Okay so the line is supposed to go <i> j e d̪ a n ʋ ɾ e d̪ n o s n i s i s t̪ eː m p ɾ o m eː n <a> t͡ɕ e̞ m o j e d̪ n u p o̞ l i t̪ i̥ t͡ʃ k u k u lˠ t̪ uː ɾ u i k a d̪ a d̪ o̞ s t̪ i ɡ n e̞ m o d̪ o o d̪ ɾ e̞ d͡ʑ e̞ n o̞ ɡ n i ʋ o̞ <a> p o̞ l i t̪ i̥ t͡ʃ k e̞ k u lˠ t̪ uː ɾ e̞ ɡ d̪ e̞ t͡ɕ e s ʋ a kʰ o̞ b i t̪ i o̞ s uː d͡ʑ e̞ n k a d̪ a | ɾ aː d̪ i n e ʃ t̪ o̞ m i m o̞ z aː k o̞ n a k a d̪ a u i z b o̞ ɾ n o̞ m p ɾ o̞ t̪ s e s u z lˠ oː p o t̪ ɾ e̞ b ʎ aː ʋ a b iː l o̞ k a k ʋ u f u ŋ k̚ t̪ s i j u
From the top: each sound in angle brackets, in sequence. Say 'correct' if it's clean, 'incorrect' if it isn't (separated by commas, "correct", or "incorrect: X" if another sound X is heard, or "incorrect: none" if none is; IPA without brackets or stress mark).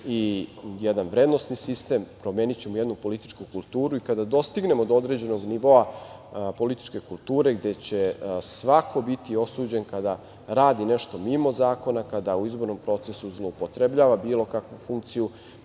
correct, incorrect: i, correct